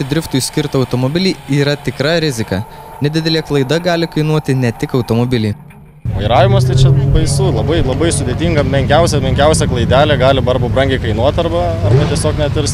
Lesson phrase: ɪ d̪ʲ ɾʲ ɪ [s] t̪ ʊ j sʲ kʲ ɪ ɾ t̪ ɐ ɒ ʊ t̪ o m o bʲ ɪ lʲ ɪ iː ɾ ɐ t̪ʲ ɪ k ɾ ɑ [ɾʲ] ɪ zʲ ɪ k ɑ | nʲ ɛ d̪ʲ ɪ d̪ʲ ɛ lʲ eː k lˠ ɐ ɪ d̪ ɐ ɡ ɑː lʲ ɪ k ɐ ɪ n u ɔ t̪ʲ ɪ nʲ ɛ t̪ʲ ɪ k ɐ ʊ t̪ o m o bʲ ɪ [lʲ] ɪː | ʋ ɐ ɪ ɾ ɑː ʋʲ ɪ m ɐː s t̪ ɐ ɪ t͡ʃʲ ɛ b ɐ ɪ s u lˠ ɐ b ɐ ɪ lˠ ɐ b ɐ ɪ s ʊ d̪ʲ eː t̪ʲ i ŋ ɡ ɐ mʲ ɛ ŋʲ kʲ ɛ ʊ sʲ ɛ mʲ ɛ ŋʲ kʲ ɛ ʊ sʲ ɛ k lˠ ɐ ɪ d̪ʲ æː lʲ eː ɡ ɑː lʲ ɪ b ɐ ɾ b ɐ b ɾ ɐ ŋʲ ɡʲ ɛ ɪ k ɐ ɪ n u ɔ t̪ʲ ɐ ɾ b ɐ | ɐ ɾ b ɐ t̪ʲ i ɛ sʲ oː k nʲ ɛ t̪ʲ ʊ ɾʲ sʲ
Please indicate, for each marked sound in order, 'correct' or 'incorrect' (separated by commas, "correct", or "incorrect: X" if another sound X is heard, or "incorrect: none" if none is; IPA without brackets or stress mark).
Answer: incorrect: f, correct, correct